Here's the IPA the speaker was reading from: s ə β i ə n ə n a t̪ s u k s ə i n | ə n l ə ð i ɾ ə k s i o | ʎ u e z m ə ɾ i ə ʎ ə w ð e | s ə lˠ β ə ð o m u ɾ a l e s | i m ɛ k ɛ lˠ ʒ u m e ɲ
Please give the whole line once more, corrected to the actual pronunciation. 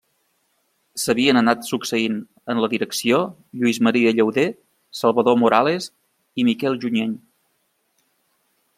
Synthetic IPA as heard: s ə β i ə n ə n a t̪ s u k s ə i n | ə n l ə ð i ɾ ə k s i o | ʎ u i z m ə ɾ i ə ʎ ə w ð e | s ə lˠ β ə ð o m u ɾ a l e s | i m i k ɛ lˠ ʒ u ɲ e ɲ